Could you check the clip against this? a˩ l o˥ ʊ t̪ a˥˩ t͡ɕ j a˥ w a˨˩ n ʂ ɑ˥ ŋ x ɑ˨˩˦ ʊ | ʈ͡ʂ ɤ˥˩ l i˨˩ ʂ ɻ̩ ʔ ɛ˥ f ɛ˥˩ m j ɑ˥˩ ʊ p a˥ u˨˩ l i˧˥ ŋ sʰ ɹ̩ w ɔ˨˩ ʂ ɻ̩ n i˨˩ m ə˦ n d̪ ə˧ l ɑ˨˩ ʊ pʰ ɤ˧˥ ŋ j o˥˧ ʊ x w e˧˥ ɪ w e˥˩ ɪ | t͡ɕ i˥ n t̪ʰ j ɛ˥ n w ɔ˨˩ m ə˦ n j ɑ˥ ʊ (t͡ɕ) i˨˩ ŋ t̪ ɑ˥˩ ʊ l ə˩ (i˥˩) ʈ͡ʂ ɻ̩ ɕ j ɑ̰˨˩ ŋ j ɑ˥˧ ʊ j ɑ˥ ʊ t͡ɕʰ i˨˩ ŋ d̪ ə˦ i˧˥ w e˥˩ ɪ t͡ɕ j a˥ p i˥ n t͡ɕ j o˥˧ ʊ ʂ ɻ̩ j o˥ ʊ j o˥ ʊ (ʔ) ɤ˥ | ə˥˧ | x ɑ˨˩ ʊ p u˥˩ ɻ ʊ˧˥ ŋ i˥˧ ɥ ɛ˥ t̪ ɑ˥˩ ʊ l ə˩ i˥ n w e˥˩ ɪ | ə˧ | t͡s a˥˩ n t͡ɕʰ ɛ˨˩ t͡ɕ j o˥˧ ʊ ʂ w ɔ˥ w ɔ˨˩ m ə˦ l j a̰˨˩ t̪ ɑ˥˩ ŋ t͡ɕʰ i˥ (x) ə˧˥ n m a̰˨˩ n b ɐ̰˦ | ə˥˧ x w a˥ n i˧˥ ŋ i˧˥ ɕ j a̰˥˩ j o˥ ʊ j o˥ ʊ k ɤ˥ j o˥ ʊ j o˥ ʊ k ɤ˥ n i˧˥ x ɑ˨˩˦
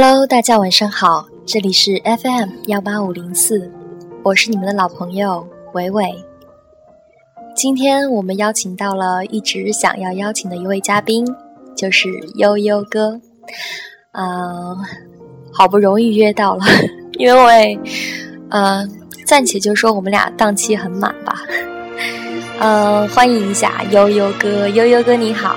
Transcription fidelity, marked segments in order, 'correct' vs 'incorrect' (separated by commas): incorrect, correct, incorrect, correct